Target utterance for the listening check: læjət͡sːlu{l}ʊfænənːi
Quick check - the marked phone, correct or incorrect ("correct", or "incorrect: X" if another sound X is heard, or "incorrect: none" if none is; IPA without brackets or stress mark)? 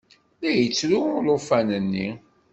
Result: correct